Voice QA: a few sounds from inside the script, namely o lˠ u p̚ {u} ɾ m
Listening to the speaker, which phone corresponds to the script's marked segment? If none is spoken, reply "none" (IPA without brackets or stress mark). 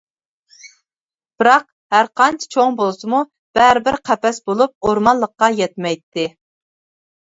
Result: o